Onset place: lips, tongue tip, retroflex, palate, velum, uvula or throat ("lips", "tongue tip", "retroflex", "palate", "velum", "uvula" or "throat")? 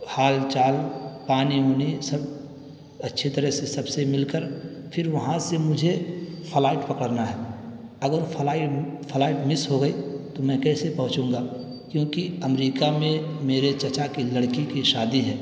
throat